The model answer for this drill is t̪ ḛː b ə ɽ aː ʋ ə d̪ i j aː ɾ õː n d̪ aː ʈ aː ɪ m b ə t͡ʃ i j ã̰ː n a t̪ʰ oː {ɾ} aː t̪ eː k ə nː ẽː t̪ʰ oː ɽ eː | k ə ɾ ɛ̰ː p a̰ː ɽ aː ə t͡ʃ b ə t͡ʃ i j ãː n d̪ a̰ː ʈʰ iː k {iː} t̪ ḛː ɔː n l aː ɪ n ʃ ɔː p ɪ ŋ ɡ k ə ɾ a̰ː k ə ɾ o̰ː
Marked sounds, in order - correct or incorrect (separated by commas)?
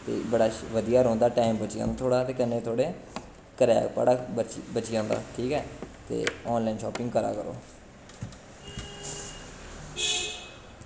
incorrect, incorrect